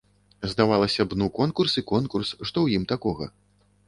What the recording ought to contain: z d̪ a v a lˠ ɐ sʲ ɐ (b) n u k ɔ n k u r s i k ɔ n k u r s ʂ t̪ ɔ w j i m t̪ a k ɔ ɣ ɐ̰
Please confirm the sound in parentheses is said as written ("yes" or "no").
yes